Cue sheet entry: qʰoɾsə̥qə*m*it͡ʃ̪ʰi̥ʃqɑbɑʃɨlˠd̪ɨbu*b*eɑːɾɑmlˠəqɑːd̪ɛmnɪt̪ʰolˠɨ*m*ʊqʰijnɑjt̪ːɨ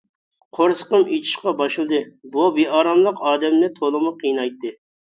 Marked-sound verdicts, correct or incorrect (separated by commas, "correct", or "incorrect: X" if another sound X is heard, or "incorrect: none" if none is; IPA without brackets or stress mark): correct, correct, correct